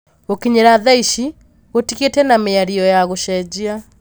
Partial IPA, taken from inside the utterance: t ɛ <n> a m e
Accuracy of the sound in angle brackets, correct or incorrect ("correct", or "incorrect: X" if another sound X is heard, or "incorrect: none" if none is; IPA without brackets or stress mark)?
correct